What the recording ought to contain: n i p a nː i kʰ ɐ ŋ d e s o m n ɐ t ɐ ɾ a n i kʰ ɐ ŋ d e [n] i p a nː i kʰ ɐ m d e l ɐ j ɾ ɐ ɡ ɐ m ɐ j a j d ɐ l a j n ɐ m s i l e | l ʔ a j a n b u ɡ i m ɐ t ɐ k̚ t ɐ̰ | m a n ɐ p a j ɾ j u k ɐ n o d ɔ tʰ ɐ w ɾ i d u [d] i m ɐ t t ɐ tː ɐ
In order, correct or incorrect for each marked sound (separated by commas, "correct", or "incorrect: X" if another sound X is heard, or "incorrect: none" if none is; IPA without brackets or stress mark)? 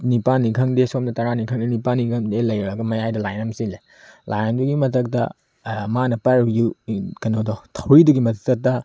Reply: correct, incorrect: ɡ